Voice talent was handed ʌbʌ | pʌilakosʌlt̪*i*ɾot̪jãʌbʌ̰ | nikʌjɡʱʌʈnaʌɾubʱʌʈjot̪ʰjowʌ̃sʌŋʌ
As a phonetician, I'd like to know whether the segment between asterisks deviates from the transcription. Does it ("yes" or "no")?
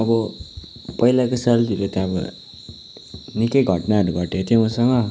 no